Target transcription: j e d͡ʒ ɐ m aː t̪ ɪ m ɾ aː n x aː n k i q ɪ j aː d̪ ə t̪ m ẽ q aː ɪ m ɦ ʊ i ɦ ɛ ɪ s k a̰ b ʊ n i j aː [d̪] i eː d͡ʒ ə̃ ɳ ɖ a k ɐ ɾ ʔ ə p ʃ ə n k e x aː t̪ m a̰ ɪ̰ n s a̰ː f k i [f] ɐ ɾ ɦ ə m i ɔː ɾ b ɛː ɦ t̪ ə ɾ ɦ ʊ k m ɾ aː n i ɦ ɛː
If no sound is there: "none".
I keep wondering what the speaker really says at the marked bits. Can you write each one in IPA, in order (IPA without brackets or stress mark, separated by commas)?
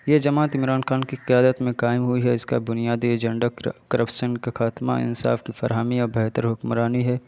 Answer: d̪, f